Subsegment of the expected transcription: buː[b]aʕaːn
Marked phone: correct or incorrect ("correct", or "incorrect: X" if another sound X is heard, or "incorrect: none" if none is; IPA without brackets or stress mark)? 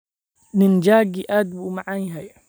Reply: incorrect: m